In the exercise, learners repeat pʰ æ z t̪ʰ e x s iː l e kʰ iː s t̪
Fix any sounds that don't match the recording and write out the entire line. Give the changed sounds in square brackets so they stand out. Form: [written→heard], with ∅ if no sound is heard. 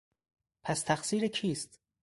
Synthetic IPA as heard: pʰ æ [z→s] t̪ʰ [e→æ] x s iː [l→ɾ] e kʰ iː s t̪